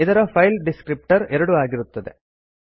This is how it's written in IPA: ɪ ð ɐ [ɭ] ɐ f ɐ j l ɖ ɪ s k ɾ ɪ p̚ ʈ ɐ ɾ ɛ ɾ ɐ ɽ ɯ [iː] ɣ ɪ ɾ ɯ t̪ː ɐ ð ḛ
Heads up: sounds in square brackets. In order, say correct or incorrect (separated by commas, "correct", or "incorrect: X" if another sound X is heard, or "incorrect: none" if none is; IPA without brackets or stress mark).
incorrect: ɾ, incorrect: aː